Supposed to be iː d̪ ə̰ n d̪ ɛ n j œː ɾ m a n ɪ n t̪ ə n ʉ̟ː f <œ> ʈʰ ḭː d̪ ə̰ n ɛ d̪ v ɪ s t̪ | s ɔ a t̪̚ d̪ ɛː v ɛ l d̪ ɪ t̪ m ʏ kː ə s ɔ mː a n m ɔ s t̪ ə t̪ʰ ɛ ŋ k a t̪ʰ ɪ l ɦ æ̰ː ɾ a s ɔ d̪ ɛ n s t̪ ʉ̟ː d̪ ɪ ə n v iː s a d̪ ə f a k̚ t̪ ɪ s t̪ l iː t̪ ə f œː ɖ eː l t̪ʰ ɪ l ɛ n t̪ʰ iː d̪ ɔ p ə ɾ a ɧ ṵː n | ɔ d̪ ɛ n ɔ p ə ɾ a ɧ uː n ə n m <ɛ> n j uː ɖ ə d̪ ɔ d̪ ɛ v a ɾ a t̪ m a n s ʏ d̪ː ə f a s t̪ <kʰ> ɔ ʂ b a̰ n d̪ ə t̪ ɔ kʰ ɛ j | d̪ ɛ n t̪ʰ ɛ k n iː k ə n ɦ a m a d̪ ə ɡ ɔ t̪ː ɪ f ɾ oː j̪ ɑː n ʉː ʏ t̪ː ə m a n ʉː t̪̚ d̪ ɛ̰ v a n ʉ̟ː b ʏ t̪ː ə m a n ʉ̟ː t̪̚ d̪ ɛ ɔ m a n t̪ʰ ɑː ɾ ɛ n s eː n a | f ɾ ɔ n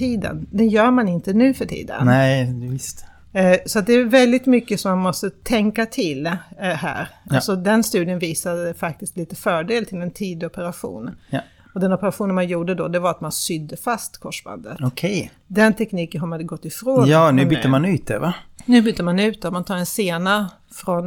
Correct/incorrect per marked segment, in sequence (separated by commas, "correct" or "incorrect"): correct, incorrect, correct